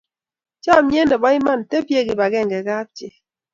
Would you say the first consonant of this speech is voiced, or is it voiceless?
voiceless